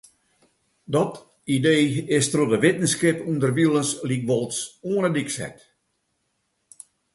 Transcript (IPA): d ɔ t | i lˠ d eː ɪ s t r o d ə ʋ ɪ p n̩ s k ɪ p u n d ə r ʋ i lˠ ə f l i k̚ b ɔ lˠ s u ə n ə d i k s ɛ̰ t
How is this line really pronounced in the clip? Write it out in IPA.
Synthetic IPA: d ɔ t | i d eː ɪ s t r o d ə ʋ ɪ t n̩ s k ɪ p u n d ə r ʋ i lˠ ə s l i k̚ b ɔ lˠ s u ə n ə d i k s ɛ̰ t